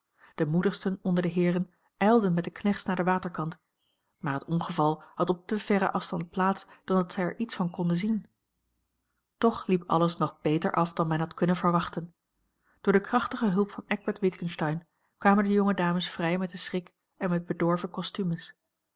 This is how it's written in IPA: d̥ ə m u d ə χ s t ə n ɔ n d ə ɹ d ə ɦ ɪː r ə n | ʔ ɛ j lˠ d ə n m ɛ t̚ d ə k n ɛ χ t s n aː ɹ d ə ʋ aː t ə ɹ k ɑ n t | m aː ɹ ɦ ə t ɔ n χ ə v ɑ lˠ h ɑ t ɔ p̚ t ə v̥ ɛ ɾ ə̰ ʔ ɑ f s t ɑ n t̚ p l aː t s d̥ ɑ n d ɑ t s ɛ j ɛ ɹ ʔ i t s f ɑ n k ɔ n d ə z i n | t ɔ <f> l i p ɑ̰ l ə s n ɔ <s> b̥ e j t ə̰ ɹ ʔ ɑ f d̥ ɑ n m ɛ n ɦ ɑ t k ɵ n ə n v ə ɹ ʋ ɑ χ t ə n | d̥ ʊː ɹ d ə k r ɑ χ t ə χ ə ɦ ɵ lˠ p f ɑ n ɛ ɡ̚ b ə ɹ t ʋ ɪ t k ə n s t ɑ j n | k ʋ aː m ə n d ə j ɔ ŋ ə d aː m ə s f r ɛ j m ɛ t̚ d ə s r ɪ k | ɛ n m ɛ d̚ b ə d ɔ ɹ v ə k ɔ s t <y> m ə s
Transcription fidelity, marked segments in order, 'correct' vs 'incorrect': incorrect, incorrect, correct

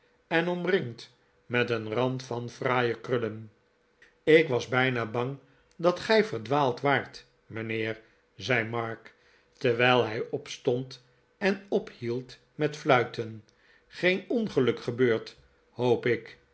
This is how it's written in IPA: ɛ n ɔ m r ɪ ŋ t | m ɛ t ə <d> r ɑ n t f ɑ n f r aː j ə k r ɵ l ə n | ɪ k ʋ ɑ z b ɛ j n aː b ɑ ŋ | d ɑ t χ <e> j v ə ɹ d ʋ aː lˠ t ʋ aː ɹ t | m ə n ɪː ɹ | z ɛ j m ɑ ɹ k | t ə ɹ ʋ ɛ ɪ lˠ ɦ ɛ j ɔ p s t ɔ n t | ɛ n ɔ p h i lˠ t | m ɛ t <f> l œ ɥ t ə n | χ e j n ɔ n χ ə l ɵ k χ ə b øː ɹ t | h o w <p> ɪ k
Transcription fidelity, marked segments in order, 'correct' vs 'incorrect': incorrect, incorrect, correct, correct

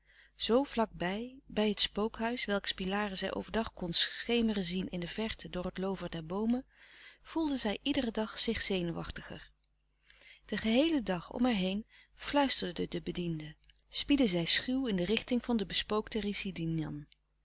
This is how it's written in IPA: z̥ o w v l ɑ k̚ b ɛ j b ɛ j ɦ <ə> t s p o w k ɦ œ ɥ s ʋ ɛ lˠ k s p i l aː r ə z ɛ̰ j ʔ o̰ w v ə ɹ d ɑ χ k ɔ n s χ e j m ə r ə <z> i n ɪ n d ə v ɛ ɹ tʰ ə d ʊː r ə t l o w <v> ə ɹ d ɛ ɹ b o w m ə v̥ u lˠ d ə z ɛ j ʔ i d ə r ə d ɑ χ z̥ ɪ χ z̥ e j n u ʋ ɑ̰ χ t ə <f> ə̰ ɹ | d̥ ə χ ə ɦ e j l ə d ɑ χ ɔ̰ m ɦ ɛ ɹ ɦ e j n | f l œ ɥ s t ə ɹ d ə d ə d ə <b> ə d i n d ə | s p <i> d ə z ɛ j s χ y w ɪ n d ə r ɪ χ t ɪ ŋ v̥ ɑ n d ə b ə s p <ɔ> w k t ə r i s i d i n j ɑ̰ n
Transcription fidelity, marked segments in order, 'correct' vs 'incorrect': correct, correct, correct, incorrect, correct, correct, incorrect

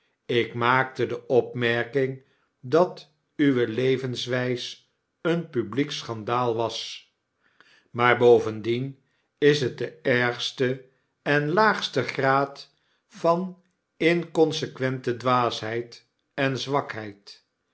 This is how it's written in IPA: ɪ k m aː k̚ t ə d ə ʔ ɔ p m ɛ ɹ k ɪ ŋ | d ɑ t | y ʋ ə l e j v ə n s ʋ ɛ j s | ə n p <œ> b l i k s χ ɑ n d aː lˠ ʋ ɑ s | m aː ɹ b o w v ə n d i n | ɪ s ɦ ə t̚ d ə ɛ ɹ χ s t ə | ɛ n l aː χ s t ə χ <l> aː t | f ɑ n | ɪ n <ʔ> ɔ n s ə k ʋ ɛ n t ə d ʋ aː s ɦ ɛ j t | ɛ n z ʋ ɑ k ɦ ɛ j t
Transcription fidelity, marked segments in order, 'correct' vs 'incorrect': incorrect, incorrect, incorrect

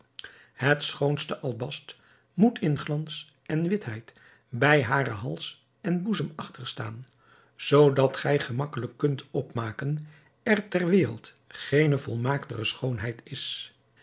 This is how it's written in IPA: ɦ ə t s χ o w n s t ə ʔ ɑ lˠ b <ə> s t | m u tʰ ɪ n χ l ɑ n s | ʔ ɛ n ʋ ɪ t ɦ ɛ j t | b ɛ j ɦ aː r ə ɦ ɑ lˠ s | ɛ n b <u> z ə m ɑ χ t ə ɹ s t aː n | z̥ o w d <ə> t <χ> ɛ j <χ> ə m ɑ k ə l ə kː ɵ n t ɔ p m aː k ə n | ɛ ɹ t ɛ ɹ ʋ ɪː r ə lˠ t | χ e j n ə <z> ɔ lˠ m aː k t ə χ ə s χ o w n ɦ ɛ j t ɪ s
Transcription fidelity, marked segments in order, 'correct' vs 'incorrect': incorrect, correct, incorrect, correct, correct, incorrect

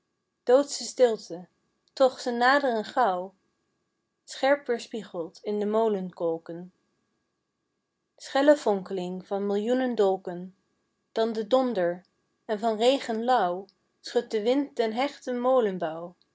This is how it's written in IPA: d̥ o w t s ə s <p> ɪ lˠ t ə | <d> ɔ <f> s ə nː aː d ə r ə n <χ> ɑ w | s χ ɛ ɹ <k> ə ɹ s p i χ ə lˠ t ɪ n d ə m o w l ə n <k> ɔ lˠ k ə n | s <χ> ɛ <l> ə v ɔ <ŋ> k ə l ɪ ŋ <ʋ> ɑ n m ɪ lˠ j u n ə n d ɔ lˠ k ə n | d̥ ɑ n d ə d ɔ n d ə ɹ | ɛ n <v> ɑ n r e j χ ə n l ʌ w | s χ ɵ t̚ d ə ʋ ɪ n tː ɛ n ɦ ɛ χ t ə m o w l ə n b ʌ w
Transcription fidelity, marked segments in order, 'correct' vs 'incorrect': incorrect, incorrect, incorrect, correct, incorrect, correct, correct, correct, correct, incorrect, correct

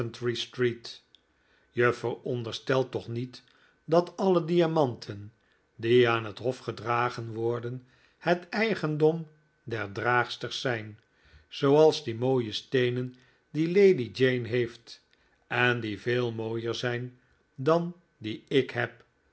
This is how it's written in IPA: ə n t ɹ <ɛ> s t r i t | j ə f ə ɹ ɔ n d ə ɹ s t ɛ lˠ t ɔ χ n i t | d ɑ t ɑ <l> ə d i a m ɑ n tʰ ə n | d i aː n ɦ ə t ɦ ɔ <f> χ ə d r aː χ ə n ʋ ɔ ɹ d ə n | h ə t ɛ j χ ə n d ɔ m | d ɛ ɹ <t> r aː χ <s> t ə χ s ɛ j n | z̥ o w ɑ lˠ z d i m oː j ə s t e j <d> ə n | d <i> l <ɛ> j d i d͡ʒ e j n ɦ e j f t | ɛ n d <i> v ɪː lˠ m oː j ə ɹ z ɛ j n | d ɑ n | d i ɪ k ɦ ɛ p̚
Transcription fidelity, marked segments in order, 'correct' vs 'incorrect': incorrect, correct, correct, incorrect, correct, incorrect, correct, incorrect, correct

